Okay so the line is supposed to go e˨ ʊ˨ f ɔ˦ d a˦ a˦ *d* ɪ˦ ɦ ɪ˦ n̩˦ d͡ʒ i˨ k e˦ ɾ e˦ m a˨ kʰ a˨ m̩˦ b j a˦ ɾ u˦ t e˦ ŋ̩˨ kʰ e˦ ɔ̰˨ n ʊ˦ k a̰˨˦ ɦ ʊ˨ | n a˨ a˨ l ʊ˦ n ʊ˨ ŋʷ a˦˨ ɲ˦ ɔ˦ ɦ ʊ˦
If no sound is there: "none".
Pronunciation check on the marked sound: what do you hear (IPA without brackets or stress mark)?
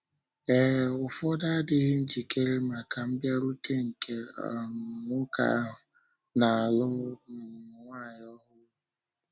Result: d